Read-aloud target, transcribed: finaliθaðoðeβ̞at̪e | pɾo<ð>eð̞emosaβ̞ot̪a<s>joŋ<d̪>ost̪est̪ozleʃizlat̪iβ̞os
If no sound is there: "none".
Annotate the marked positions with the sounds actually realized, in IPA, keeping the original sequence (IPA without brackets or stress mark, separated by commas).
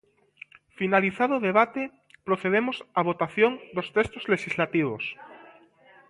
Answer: θ, θ, d̪